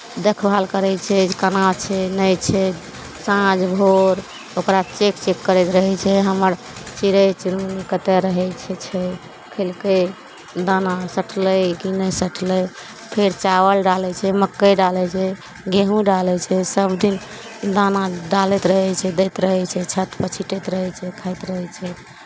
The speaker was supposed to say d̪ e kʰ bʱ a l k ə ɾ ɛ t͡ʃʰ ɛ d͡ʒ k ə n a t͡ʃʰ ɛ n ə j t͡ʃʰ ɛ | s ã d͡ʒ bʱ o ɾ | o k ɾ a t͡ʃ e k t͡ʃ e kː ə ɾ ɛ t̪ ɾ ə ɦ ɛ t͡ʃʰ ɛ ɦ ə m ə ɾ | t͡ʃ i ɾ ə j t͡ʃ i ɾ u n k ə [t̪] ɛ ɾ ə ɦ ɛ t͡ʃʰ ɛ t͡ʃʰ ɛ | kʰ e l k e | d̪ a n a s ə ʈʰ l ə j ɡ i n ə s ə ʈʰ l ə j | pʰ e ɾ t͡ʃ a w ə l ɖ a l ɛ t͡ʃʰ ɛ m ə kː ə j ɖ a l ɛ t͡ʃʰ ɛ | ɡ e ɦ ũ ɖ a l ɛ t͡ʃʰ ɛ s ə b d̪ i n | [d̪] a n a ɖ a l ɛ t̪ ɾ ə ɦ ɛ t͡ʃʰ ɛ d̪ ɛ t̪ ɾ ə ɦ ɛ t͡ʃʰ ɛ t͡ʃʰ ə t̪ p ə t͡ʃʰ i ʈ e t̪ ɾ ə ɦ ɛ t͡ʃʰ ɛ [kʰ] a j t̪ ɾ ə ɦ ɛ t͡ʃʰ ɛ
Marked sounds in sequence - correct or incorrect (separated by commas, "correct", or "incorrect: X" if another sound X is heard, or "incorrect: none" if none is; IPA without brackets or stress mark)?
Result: correct, correct, correct